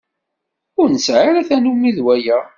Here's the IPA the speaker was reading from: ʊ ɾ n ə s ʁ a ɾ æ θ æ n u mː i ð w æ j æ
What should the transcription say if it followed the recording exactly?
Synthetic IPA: ʊ ɾ n ə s ʕ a ɾ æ θ æ n u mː i ð w æ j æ

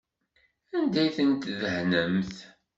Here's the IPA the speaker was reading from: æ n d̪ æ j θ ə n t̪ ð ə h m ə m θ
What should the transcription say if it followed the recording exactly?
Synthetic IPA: æ n d̪ æ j θ ə n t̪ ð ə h n ə m θ

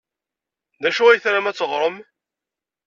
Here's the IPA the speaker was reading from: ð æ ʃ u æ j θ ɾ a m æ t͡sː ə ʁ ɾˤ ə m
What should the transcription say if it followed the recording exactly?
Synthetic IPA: ð æ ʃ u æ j θ ɾ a m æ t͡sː ə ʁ ɾˤ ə m

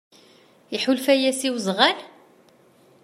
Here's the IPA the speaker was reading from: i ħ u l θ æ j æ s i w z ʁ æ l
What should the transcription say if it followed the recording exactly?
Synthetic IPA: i ħ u l f æ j æ s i w z ʁ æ l

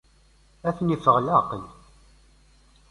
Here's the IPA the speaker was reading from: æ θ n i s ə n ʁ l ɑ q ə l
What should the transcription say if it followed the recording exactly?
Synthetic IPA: æ θ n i f ə ʁ l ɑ q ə l

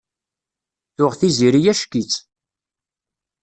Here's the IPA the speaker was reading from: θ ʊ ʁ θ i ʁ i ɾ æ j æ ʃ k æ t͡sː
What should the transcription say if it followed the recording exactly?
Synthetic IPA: θ ʊ ʁ θ i z i ɾ i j æ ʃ k i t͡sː

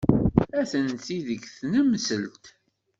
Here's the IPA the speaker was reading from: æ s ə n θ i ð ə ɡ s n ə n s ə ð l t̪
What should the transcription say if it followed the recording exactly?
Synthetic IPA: æ θ ə n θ i ð ə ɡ θ n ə m s ə l t̪

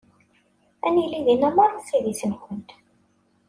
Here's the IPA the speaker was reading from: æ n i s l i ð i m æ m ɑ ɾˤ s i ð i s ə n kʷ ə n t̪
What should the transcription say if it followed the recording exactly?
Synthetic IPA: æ n i l i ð i n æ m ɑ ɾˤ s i ð i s ə n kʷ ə n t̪

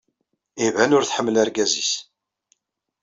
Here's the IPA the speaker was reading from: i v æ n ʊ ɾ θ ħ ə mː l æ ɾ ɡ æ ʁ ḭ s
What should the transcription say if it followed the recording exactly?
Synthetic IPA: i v æ n ʊ ɾ θ ħ ə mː l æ ɾ ɡ æ z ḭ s

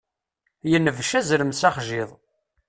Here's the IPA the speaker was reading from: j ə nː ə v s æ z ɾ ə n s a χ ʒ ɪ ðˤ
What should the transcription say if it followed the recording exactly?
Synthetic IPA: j ə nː ə v ʃ æ z ɾ ə m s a χ ʒ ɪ ðˤ

